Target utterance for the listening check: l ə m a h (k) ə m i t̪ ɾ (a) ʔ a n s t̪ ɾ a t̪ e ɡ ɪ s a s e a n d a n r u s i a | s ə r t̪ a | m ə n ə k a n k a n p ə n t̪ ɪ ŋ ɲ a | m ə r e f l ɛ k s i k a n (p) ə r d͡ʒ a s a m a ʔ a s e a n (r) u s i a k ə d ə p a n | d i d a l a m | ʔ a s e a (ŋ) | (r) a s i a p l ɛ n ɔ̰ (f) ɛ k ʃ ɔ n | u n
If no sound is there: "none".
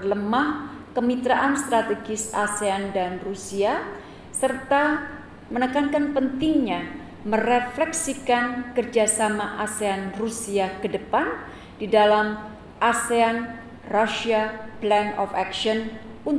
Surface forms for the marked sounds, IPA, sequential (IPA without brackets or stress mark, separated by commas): k, a, k, r, n, r, f